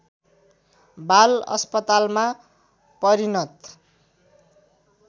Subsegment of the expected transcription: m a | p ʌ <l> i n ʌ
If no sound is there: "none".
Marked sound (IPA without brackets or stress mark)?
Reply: ɾ